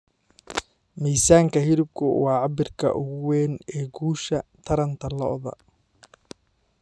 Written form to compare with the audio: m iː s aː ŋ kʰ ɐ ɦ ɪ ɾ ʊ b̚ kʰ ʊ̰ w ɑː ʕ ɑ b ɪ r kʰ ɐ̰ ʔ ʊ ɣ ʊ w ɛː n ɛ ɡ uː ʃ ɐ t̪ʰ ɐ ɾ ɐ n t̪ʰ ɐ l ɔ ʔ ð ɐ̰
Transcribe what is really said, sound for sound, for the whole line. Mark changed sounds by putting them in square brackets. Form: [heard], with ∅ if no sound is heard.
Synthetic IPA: m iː s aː ŋ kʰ ɐ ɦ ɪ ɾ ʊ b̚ kʰ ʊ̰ w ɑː ʕ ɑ b ɪ r kʰ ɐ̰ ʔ ʊ ɣ ʊ w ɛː n [ɛː] ɡ uː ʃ ɐ t̪ʰ ɐ ɾ ɐ n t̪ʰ ɐ l ɔ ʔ ð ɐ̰